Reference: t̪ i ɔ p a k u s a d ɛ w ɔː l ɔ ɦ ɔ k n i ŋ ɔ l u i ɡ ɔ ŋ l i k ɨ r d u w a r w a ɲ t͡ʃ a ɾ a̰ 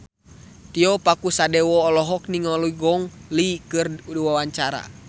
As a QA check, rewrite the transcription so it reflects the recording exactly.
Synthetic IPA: t̪ i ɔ p a k u s a d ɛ w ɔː l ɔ ɦ ɔ k n i ŋ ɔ l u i ɡ ɔ ŋ l i k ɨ r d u w a w a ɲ t͡ʃ a ɾ a̰